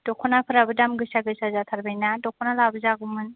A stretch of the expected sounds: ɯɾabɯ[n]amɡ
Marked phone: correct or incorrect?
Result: incorrect